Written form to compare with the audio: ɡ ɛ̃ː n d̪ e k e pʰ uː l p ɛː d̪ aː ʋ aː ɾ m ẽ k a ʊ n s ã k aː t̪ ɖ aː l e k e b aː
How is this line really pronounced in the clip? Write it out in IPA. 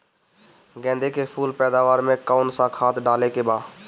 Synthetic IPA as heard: ɡ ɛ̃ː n d̪ e k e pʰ uː l p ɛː d̪ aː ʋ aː ɾ m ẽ k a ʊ n s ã kʰ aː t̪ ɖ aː l e k e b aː